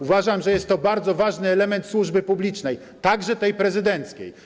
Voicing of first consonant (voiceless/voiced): voiced